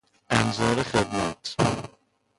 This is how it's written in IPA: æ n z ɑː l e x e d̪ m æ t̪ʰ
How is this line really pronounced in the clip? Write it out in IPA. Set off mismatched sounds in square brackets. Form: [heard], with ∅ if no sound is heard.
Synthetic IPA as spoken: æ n z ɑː [ɾ] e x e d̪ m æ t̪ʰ